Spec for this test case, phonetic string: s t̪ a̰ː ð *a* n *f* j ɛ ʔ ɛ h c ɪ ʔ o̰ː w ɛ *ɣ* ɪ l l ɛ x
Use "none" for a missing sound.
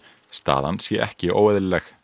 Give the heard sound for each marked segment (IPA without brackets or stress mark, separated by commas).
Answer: a, s, ð